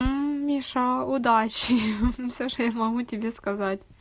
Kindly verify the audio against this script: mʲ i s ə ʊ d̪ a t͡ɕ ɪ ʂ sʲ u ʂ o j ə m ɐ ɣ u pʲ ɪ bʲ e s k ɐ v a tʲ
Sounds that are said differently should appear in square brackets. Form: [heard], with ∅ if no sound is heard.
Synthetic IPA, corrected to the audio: mʲ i [ʂ] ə ʊ d̪ a t͡ɕ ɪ [f] sʲ [o] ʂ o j [a] m ɐ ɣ u [tʲ] ɪ bʲ e s k ɐ [z] a tʲ